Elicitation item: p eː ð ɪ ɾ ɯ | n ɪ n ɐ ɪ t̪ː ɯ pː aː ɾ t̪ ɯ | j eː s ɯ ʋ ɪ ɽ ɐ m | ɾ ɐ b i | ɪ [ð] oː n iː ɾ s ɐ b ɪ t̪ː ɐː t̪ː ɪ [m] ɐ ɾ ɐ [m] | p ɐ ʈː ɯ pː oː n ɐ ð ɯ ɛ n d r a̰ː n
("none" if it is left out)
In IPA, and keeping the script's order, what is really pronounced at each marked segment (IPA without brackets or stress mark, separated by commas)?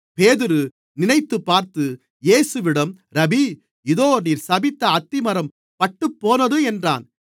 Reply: ð, m, m